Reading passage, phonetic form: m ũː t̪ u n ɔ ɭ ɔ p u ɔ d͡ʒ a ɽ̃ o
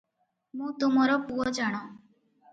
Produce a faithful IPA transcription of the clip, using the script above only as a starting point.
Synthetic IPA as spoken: m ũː t̪ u m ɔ ɾ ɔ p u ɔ d͡ʒ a ɽ̃ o